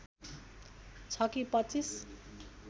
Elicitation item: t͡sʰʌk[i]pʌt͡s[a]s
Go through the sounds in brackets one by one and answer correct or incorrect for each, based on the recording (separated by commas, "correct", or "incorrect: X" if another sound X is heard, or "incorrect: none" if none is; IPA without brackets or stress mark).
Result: correct, incorrect: i